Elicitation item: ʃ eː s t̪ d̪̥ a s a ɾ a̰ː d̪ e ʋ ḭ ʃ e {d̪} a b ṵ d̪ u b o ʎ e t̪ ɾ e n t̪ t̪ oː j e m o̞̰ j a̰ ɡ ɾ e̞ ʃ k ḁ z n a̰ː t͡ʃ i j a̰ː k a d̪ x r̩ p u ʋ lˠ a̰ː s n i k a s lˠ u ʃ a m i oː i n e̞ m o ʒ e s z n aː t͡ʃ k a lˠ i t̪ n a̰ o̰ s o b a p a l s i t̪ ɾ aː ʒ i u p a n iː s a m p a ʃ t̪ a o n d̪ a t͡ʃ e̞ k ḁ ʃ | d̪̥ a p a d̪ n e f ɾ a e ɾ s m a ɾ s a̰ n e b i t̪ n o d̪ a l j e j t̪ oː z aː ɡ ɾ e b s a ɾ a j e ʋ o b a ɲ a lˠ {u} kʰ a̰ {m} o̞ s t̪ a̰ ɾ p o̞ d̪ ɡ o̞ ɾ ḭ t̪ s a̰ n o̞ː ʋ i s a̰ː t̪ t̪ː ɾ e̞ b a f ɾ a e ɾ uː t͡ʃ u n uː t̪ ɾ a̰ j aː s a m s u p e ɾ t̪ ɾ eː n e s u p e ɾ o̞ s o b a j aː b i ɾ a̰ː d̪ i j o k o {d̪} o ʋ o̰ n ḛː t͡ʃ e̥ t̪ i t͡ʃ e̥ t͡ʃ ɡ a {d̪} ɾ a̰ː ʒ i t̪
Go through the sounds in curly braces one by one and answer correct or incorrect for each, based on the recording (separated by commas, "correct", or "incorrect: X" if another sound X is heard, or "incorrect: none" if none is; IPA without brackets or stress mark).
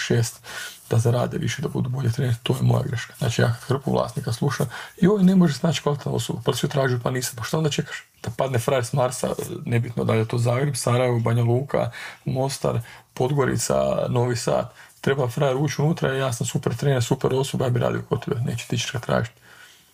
correct, incorrect: uː, correct, incorrect: t̪, incorrect: t̪